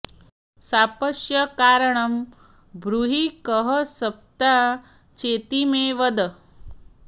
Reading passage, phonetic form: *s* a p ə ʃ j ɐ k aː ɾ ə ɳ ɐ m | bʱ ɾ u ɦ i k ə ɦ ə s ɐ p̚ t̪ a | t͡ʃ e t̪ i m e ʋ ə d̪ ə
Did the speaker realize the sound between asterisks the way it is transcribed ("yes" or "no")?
yes